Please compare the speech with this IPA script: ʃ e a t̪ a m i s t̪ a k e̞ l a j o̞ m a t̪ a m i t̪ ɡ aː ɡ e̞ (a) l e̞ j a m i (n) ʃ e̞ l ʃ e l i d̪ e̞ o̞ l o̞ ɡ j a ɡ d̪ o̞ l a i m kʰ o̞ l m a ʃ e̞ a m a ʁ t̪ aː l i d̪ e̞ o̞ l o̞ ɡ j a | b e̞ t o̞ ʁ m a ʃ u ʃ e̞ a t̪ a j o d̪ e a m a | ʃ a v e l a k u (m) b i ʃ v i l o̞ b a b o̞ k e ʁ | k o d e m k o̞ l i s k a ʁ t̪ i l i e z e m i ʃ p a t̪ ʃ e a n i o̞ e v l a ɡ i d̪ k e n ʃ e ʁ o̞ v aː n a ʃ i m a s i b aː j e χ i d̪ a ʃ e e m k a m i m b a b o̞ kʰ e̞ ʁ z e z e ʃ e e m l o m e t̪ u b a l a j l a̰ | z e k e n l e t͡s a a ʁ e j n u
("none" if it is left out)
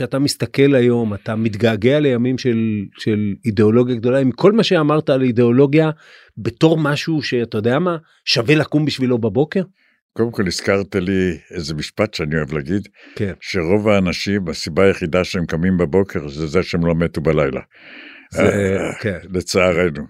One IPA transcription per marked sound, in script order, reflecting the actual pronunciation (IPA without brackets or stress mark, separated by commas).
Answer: a, m, m